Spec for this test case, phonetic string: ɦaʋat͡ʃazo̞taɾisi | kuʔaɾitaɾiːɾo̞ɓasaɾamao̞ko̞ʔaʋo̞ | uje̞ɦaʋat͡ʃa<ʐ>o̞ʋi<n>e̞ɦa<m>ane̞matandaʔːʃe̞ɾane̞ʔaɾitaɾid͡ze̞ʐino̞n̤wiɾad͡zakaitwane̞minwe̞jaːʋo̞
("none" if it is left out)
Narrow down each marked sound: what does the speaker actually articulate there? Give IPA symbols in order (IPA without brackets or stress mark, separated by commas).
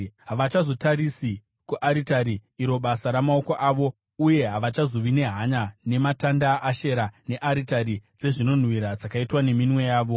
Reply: z, n, ɲ